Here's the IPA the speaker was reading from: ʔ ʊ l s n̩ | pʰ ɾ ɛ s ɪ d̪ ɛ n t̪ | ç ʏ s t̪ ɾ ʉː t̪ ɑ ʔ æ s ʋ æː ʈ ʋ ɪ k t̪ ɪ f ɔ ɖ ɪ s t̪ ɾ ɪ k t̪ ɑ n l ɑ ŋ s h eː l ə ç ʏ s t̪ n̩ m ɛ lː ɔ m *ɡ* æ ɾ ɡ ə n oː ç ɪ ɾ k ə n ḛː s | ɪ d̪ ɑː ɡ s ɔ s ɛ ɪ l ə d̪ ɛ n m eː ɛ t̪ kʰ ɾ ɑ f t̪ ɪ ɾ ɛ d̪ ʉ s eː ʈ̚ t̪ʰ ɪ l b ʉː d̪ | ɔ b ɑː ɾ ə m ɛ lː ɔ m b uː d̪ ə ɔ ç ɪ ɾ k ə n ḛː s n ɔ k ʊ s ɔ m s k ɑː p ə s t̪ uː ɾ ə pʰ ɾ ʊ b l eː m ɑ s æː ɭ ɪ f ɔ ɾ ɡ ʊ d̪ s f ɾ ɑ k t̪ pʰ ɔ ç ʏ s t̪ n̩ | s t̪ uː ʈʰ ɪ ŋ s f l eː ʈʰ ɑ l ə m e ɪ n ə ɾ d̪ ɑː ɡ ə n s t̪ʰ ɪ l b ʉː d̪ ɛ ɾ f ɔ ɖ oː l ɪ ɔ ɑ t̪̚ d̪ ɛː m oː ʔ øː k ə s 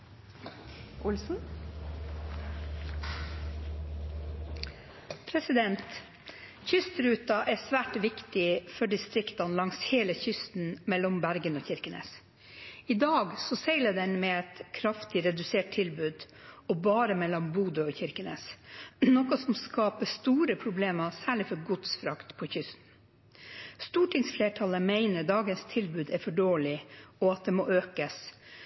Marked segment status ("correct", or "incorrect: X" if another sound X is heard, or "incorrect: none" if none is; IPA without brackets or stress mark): incorrect: b